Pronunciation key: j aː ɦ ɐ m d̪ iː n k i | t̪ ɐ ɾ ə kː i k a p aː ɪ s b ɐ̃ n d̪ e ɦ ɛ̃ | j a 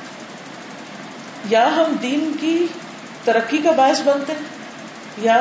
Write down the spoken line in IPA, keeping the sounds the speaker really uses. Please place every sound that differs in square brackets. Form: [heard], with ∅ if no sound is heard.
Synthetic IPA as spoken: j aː ɦ ɐ m d̪ iː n k i | t̪ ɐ ɾ ə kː i k a [b] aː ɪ s b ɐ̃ n [t̪] e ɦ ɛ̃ | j a